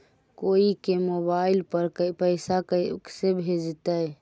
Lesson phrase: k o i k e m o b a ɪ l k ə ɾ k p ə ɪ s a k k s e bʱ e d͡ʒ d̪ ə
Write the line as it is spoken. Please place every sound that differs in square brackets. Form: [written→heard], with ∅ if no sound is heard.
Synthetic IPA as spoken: k o i k e m o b a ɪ l [k→p] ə ɾ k p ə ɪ s a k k s e bʱ e d͡ʒ [d̪→t̪] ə